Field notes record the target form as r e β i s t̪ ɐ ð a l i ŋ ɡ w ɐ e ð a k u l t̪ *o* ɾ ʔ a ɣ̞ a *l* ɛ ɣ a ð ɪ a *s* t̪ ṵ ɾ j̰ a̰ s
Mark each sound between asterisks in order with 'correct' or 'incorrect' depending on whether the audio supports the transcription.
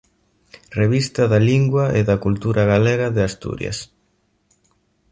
incorrect: u, correct, correct

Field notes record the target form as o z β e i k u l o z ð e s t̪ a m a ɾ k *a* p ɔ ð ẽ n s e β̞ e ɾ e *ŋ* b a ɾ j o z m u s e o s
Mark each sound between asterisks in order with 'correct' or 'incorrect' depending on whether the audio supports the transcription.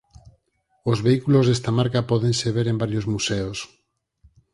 correct, incorrect: m

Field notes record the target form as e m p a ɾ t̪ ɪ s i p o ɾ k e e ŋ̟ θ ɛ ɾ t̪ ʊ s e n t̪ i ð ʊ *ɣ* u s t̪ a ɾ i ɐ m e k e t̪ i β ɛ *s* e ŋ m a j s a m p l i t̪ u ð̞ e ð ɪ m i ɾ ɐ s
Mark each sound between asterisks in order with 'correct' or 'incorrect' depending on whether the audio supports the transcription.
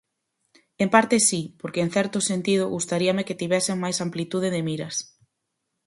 correct, correct

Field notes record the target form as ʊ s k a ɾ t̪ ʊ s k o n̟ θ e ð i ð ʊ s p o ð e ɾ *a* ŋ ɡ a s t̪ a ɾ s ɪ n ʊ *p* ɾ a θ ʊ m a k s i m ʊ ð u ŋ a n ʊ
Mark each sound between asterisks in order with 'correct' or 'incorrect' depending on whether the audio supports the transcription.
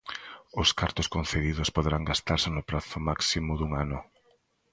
correct, correct

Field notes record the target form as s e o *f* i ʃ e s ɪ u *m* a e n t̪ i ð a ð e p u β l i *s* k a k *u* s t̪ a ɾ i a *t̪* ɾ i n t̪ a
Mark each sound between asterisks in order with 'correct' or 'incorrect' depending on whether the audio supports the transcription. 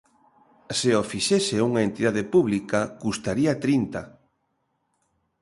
correct, incorrect: ŋ, incorrect: none, correct, correct

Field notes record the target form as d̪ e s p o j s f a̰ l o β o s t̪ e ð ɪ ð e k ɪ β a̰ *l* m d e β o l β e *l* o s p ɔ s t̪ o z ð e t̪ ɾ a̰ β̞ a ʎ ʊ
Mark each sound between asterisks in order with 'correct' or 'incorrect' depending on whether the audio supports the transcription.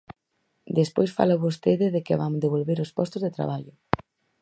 incorrect: none, incorrect: ɾ

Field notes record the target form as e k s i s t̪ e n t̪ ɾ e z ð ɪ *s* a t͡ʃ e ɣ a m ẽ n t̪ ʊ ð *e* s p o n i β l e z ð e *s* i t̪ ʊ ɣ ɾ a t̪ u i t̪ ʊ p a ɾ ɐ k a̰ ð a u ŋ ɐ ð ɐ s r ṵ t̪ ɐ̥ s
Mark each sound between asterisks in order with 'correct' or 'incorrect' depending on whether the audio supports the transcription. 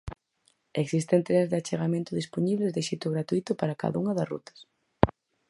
incorrect: none, incorrect: i, incorrect: ʃ

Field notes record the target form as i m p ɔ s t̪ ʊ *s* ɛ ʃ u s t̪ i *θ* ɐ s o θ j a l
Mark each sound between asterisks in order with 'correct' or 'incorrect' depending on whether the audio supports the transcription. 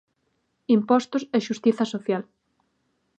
correct, correct

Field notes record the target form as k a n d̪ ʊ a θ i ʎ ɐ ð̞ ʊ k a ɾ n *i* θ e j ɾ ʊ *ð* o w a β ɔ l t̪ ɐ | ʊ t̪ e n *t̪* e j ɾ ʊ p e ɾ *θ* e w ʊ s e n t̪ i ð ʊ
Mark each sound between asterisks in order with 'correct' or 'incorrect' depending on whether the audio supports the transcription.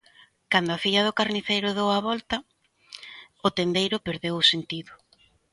correct, correct, incorrect: d̪, incorrect: ð

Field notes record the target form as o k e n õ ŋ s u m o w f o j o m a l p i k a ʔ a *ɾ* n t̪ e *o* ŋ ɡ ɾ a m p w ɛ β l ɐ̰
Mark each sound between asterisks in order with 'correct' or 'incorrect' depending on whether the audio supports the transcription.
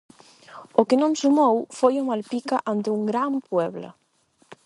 incorrect: none, incorrect: u

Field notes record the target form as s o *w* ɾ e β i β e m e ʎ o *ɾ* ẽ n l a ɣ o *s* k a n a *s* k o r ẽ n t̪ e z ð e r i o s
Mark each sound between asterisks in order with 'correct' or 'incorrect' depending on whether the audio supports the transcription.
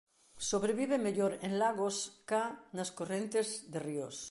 incorrect: β, correct, correct, correct

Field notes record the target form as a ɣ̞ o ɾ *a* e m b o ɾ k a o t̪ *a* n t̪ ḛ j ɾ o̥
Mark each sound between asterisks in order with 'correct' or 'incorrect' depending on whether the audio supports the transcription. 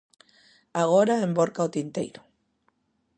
correct, incorrect: i

